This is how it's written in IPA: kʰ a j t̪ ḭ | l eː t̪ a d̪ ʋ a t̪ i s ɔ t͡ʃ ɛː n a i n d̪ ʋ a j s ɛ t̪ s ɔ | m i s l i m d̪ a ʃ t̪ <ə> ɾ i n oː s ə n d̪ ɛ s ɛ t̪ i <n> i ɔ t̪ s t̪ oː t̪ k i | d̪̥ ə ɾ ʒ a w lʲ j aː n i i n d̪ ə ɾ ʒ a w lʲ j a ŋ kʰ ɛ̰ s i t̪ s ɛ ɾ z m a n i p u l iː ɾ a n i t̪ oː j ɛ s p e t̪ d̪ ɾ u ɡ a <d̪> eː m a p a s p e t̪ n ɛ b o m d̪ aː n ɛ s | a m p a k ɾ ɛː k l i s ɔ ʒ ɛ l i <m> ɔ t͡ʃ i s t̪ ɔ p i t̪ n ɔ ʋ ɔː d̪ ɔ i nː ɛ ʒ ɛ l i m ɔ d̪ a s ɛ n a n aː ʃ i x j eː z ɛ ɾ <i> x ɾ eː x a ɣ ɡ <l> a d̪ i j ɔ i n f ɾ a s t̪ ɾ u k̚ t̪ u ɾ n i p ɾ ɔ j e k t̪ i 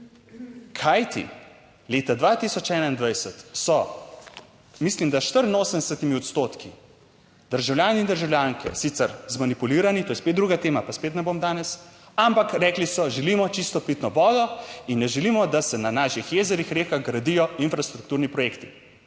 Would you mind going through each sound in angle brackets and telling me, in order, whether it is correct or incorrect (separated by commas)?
correct, incorrect, incorrect, correct, correct, incorrect